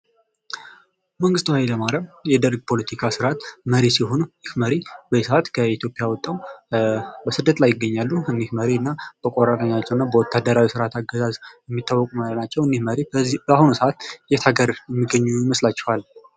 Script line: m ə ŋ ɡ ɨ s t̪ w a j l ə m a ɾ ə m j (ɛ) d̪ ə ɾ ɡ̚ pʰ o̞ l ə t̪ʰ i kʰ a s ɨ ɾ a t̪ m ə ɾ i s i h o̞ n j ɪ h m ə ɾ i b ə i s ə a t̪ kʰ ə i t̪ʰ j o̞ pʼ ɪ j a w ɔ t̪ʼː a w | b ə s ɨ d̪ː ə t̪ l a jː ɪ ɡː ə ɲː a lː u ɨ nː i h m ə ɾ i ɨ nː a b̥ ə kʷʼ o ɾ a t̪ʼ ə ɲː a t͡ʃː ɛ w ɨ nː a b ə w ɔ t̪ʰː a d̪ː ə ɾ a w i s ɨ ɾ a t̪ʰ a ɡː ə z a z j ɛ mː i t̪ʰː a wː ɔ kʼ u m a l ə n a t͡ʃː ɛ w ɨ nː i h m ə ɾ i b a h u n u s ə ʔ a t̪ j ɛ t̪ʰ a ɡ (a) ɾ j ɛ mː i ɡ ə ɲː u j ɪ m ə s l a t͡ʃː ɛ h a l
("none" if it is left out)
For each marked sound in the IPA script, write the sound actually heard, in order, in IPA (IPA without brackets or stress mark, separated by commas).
ɛ, ə